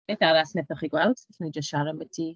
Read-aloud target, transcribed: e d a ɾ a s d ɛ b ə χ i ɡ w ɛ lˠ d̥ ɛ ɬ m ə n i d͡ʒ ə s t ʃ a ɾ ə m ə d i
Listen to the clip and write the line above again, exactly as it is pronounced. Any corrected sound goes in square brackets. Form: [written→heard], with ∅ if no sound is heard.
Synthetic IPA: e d a ɾ a s [d→n] ɛ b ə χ i ɡ w ɛ lˠ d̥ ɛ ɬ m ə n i d͡ʒ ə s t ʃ a ɾ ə m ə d i